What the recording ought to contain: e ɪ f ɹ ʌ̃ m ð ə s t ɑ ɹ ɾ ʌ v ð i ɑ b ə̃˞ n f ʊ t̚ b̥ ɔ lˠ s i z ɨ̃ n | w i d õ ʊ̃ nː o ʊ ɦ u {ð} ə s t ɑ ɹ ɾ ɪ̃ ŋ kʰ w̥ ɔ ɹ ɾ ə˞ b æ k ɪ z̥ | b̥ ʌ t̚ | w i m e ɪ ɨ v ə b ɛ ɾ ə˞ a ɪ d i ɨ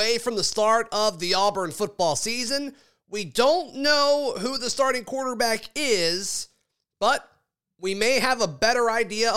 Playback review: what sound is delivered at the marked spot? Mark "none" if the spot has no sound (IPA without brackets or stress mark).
ð